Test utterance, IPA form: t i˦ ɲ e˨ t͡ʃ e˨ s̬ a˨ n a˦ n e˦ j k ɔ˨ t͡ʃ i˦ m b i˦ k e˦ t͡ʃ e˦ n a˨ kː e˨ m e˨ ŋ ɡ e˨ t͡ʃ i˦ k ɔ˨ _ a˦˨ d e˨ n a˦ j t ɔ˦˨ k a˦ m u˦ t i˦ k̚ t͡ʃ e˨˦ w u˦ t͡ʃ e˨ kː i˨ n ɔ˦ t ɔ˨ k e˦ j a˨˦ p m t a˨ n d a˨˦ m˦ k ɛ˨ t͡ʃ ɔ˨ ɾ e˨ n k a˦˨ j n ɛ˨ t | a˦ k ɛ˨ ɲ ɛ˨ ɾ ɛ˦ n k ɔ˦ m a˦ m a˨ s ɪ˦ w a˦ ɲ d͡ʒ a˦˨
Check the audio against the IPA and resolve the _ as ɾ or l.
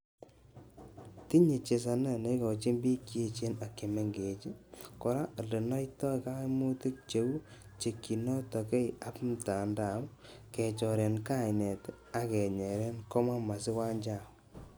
ɾ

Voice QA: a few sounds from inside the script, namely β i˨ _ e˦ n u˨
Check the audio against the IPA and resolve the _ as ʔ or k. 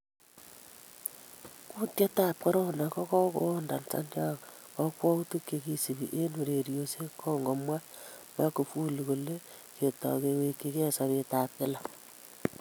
ʔ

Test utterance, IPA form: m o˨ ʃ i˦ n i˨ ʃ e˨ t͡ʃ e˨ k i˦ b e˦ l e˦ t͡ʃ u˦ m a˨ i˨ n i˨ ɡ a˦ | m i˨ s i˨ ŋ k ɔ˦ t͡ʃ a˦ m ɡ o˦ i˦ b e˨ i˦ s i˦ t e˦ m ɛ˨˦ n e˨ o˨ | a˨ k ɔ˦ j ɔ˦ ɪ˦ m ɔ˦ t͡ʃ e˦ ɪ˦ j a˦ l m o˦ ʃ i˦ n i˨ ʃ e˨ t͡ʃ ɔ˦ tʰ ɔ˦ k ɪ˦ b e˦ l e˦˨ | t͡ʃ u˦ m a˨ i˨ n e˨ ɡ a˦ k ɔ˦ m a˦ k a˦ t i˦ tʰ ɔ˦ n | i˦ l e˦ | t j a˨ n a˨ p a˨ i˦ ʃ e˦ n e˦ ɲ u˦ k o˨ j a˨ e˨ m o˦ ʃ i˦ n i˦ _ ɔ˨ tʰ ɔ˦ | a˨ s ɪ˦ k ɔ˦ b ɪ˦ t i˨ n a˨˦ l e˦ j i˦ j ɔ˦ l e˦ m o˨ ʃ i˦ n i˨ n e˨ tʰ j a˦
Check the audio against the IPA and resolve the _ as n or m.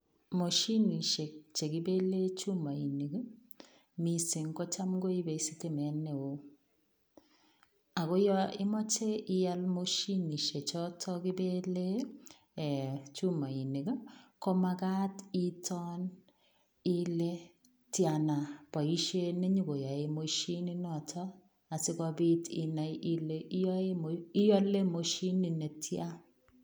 n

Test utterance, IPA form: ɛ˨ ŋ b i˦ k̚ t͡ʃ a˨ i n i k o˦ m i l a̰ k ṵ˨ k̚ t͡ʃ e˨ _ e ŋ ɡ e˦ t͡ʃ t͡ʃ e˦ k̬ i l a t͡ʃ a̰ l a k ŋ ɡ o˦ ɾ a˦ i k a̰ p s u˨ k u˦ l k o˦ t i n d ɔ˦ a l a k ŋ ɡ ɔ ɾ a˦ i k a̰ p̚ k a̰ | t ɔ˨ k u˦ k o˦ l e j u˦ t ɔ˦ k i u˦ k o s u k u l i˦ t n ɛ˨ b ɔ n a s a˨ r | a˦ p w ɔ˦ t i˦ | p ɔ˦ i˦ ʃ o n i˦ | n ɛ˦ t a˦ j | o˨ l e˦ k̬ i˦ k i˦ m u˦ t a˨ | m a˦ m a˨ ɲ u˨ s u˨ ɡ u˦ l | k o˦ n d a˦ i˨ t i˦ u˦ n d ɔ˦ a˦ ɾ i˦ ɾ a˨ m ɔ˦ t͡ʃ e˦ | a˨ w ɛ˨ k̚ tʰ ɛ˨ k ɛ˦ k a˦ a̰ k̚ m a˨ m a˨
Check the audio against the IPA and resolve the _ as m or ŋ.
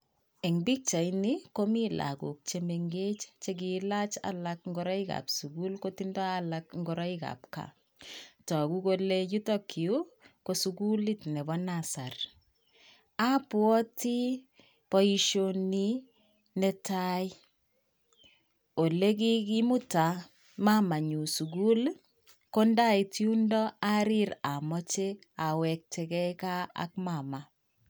m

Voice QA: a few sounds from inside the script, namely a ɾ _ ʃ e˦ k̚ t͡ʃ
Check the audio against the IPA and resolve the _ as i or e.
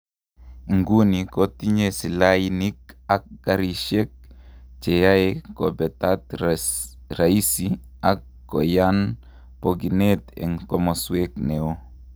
i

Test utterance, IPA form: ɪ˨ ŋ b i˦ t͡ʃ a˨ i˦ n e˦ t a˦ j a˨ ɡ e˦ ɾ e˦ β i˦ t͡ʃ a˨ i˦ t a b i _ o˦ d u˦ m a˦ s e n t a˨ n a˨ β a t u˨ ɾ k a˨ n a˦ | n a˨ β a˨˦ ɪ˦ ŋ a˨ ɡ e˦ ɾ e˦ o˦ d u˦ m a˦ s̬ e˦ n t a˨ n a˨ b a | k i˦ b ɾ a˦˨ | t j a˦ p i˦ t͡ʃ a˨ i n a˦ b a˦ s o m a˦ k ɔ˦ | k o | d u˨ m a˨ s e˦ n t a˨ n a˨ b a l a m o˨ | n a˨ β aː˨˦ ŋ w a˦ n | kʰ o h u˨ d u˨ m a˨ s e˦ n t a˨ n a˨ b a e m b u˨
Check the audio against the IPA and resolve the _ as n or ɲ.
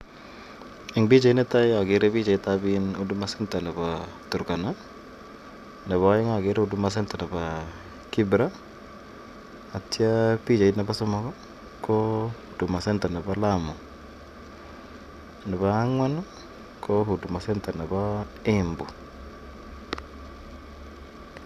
n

